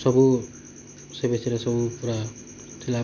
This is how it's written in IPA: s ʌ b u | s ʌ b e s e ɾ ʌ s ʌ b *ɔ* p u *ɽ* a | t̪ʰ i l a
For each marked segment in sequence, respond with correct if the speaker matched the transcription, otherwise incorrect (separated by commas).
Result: incorrect, incorrect